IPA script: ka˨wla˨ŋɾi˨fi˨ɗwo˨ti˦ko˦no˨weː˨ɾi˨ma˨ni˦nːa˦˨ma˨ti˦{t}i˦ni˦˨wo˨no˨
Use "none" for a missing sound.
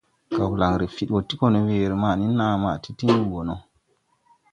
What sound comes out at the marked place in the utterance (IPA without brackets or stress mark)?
t